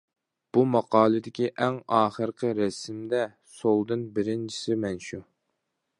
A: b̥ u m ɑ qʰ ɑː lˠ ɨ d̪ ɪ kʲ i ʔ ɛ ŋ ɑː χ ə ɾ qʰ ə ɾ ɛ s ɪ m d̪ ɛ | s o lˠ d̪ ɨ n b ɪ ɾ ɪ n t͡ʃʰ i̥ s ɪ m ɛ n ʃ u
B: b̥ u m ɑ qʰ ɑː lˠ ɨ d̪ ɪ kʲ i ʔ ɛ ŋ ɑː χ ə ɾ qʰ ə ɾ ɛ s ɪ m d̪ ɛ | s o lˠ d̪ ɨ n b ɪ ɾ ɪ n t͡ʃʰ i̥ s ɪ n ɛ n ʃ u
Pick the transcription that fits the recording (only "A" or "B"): A